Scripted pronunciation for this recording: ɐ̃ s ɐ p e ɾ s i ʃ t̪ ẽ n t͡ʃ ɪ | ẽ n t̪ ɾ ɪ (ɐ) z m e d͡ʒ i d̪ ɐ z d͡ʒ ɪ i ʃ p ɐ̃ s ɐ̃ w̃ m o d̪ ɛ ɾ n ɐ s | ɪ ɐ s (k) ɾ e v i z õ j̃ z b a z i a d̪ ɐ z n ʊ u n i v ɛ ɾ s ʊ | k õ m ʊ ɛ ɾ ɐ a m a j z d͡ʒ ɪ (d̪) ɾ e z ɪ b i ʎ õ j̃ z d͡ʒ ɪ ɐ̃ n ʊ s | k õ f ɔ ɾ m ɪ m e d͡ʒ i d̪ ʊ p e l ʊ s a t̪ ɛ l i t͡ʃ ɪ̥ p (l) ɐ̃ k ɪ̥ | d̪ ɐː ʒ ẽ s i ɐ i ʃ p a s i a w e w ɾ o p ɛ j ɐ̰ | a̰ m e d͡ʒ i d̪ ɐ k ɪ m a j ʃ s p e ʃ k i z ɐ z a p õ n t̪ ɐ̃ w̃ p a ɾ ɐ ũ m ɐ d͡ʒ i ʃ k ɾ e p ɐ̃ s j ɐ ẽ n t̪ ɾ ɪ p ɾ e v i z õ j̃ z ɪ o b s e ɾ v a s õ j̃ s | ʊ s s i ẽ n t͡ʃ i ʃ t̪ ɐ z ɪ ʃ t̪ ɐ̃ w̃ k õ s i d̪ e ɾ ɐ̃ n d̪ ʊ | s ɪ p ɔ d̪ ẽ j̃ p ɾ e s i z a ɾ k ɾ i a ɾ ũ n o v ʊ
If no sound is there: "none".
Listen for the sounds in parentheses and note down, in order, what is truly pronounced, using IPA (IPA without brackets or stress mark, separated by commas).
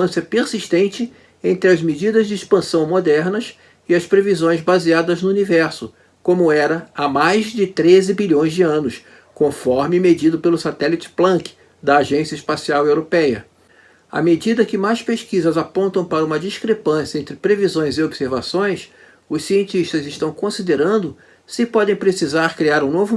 ɐ, p, t̪, l